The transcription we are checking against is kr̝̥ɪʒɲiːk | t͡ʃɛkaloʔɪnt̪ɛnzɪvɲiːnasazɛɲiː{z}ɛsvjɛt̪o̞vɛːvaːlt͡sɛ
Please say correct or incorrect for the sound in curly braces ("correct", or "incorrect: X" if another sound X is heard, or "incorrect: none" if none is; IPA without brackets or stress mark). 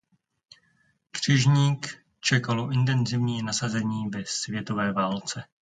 incorrect: v